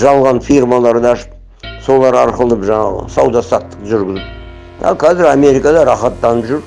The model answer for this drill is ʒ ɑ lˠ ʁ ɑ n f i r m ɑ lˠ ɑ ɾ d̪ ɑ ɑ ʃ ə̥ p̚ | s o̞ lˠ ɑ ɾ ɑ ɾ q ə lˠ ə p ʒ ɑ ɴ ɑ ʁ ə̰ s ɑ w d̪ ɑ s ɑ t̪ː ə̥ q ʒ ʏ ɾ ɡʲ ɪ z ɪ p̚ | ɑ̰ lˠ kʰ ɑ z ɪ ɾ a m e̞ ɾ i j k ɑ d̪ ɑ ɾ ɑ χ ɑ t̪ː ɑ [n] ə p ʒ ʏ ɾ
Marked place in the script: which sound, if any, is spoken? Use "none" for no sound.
n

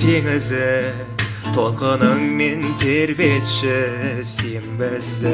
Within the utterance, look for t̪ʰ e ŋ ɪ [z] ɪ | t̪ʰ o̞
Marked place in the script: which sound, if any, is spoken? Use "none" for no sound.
z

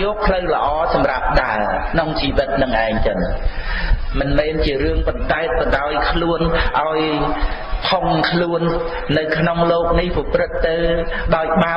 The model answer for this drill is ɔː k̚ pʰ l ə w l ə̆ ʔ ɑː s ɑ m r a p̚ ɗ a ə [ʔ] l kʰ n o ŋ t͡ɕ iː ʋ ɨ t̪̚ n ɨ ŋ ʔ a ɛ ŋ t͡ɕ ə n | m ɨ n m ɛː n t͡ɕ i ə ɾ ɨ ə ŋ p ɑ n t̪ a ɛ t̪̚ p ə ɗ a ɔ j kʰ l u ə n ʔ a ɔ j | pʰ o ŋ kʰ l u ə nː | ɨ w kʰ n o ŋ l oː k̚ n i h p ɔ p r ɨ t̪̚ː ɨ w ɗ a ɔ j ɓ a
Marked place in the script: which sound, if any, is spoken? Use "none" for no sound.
none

